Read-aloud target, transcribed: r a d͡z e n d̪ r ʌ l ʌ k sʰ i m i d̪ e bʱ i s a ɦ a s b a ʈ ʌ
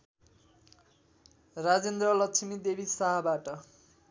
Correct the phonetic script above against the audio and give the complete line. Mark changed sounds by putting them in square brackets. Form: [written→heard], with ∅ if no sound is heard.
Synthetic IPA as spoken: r a d͡z e n d̪ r ʌ l ʌ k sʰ i m i d̪ e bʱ i s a ɦ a [s→∅] b a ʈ ʌ